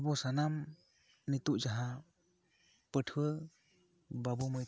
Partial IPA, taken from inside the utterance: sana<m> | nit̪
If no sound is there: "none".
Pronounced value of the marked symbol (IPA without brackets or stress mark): m